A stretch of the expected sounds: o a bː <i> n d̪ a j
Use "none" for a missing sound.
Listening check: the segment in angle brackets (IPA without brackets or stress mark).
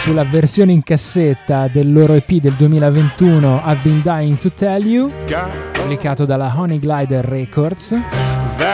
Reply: i